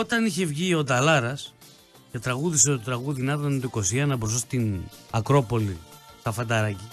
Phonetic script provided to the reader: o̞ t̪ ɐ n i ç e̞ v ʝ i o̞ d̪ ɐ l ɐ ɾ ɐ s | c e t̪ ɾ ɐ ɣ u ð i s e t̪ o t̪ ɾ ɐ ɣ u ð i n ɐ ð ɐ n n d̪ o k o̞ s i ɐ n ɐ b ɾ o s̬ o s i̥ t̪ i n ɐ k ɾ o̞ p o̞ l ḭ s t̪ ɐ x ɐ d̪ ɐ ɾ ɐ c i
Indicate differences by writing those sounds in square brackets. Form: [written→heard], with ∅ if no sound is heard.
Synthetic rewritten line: o̞ t̪ ɐ n i ç e̞ v ʝ i o̞ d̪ ɐ l ɐ ɾ ɐ s | c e t̪ ɾ ɐ ɣ u ð i s e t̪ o t̪ ɾ ɐ ɣ u ð i n ɐ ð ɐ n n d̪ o k o̞ s i ɐ n ɐ b ɾ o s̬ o s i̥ t̪ i n ɐ k ɾ o̞ p o̞ l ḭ s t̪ ɐ [x→f] ɐ d̪ ɐ ɾ ɐ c i